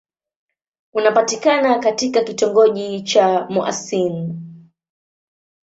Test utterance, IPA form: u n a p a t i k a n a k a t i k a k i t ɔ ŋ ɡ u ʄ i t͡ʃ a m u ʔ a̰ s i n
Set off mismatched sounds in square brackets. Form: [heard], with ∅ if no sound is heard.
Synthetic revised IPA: u n a p a t i k a n a k a t i k a k i t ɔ ŋ ɡ [ɔ] ʄ i t͡ʃ a m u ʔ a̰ s i n